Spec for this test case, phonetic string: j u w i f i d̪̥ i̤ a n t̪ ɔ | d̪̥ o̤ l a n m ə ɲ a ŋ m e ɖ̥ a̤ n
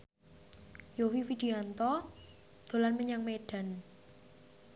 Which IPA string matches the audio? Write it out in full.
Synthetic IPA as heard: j o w i f i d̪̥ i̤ a n t̪ ɔ | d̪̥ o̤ l a n m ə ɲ a ŋ m e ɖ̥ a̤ n